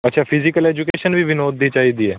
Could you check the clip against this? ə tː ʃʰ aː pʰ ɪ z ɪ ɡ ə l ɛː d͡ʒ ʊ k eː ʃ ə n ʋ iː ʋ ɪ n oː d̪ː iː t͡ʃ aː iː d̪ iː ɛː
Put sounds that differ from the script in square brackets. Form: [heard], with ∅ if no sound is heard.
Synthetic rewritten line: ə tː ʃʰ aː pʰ ɪ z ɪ [k] ə l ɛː d͡ʒ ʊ k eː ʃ ə n ʋ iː ʋ ɪ n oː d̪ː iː t͡ʃ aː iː d̪ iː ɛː